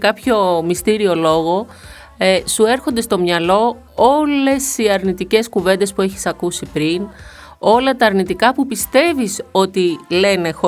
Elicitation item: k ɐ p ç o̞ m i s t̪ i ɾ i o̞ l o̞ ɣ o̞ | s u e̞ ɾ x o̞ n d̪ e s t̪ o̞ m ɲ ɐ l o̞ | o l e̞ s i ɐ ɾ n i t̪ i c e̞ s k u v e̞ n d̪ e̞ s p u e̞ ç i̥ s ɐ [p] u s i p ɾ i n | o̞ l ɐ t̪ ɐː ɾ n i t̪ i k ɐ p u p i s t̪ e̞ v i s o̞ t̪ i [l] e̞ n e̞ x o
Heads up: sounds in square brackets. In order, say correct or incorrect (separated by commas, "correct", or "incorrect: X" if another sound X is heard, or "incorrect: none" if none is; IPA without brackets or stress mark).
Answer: incorrect: k, correct